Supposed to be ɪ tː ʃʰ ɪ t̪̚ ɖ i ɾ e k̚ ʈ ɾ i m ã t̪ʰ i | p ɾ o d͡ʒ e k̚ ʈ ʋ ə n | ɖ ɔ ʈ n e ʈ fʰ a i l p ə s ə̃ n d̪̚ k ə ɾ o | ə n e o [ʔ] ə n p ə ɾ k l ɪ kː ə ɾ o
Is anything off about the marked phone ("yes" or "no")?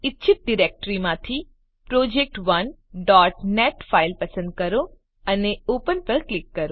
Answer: yes